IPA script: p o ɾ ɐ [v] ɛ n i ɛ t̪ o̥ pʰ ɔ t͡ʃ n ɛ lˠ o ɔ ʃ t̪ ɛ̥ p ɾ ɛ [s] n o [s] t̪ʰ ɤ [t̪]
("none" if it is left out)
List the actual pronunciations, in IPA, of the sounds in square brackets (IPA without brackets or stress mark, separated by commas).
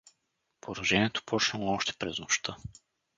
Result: ʒ, z, ʃ, none